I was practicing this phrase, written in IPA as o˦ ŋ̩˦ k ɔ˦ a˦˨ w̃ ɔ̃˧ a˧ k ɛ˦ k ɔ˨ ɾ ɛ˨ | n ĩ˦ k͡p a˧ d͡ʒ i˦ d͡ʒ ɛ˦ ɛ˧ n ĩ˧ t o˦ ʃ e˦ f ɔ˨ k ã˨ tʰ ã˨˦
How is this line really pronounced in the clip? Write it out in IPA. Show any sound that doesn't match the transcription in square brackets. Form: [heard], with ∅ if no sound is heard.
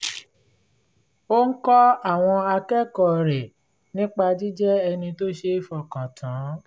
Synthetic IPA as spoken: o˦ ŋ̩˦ k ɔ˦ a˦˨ w̃ ɔ̃˧ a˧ k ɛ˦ k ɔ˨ ɾ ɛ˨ | n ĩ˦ k͡p a˧ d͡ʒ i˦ d͡ʒ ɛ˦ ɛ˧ n ĩ˧ t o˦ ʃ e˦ f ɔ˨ k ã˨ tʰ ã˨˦

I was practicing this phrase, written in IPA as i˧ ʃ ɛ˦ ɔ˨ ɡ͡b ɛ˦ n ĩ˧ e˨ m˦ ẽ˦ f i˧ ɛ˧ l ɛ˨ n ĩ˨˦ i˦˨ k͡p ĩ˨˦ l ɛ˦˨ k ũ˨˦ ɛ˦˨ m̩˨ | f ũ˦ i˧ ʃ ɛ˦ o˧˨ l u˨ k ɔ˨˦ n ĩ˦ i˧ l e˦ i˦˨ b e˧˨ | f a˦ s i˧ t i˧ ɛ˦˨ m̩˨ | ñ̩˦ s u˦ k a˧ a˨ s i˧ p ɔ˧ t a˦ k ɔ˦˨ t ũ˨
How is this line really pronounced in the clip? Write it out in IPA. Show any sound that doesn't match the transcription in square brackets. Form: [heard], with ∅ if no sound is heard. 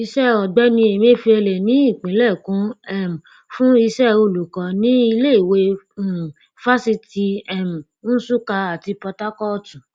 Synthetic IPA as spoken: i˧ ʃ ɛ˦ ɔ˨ ɡ͡b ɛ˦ n ĩ˧ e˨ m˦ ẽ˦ f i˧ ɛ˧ l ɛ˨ n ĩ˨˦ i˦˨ k͡p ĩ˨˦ l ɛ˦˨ k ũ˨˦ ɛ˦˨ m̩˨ | f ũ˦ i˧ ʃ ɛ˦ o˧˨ l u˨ k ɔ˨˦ n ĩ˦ i˧ l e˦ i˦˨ [w] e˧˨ | f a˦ s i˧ t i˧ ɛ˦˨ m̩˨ | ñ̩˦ s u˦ k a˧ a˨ [t] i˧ p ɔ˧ t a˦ k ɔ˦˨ t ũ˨

